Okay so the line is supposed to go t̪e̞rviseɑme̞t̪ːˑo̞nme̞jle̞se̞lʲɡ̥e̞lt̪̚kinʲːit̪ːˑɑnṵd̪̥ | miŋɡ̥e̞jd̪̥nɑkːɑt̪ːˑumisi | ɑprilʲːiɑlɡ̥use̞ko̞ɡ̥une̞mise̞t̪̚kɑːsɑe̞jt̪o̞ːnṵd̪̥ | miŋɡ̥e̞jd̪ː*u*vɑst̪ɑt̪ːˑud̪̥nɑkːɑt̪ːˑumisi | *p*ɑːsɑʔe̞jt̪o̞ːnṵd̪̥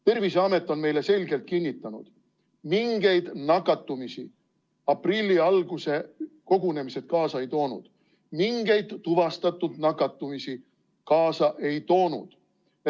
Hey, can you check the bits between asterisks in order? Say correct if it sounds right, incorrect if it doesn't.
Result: correct, incorrect

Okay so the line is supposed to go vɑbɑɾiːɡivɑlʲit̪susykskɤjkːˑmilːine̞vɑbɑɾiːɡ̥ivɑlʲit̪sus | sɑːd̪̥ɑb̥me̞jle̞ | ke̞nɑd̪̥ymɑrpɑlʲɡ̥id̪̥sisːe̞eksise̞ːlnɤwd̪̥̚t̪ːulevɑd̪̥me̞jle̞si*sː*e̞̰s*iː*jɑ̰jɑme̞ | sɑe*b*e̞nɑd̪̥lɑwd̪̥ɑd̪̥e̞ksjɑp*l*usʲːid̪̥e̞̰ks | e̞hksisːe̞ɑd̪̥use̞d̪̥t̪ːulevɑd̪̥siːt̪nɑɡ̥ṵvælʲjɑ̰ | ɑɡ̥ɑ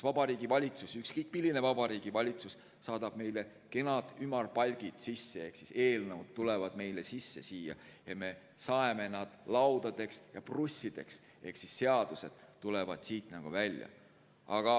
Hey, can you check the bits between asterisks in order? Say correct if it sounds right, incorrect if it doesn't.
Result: correct, correct, incorrect, incorrect

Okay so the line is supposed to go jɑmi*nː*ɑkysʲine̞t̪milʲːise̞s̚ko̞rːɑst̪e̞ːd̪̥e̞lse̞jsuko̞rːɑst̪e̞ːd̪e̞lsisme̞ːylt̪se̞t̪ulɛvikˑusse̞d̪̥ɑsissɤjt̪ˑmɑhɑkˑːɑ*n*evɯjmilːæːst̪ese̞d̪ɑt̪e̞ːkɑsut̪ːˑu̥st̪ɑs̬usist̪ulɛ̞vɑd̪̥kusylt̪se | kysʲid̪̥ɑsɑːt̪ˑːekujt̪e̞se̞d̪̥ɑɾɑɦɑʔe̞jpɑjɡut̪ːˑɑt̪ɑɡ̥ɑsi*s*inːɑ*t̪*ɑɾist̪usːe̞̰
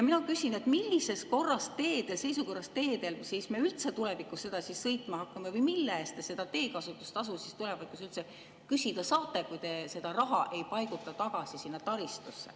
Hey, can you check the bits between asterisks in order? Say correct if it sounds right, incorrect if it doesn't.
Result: incorrect, incorrect, correct, correct

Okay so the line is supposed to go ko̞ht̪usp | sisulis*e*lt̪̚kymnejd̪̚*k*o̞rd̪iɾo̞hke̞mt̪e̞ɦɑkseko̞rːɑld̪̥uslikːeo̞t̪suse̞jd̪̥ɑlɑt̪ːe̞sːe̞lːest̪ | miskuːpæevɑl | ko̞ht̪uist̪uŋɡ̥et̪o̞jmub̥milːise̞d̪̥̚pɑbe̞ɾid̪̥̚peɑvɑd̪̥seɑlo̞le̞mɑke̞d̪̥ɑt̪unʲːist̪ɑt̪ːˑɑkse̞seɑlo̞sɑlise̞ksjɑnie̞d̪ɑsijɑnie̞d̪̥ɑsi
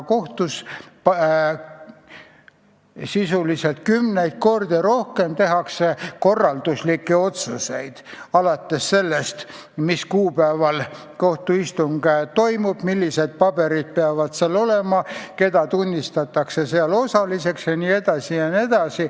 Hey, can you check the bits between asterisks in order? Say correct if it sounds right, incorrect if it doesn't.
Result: correct, correct

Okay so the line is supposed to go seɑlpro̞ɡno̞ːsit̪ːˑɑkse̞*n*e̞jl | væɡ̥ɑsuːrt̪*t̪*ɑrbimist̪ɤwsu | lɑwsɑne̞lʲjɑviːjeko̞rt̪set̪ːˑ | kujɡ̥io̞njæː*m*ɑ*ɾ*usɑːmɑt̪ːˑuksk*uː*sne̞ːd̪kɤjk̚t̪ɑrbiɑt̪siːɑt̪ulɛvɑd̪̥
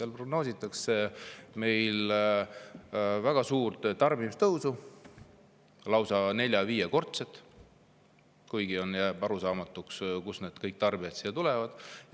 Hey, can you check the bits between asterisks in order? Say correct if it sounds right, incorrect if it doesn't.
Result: incorrect, correct, incorrect, correct, incorrect

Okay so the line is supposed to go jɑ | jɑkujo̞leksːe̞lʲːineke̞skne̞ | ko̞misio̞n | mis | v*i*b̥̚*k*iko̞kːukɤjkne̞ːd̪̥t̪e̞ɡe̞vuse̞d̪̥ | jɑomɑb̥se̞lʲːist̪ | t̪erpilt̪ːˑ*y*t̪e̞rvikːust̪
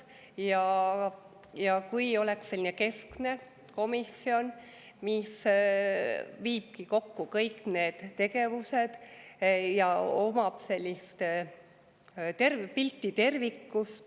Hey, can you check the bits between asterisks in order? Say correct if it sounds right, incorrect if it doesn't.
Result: incorrect, correct, incorrect

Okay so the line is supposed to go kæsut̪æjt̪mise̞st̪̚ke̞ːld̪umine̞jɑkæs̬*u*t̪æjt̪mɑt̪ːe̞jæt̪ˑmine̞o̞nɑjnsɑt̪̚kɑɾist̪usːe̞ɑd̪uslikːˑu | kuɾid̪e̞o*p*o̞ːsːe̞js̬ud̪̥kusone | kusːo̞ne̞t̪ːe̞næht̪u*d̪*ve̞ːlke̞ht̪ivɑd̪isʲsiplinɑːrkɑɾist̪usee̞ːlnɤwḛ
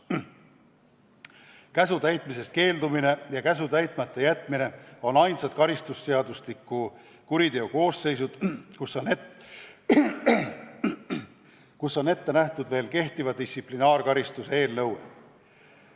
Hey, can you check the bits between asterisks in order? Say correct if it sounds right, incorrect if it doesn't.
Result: correct, incorrect, correct

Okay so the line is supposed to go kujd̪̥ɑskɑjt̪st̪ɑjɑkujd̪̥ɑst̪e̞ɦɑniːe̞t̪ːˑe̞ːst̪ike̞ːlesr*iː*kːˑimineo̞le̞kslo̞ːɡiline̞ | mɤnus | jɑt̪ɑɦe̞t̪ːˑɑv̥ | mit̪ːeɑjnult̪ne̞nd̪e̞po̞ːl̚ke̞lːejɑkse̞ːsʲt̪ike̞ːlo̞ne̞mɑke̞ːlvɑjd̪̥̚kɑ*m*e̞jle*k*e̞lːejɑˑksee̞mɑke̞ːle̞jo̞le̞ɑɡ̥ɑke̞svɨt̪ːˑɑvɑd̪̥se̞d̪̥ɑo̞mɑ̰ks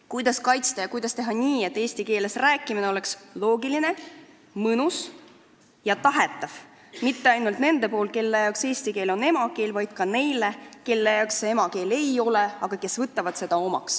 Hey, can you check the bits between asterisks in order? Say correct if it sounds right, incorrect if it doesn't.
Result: incorrect, incorrect, correct

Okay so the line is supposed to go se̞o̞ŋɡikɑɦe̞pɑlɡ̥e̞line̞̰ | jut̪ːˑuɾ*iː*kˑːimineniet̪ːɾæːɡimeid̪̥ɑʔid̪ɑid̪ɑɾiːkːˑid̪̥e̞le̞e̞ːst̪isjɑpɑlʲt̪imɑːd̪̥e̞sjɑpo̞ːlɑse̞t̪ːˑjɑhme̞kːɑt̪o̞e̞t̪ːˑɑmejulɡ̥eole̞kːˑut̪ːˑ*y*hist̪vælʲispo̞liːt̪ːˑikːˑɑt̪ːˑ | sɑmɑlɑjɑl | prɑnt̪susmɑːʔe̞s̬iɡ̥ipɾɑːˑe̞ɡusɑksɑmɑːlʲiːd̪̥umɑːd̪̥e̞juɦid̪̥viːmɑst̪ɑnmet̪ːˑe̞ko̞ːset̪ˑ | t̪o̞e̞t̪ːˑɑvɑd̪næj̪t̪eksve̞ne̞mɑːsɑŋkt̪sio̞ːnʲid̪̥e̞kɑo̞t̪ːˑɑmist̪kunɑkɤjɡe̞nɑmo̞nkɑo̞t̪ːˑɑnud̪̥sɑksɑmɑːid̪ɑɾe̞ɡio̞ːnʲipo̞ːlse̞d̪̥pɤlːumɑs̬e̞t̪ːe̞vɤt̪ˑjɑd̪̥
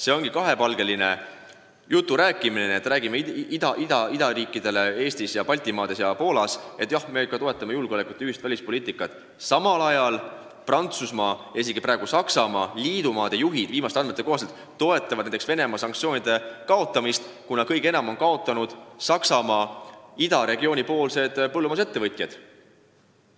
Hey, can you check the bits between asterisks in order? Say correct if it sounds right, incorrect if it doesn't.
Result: incorrect, correct

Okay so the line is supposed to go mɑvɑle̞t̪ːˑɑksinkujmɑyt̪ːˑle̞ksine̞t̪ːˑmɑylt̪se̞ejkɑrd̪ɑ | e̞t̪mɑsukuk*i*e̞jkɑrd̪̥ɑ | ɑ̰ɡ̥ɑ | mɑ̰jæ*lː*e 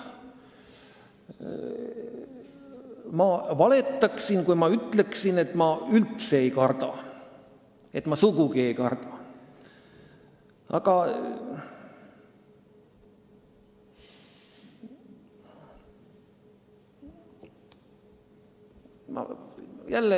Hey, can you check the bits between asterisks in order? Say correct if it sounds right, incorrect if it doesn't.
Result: correct, correct

